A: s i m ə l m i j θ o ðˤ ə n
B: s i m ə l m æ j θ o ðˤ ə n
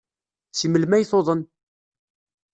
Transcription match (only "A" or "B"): B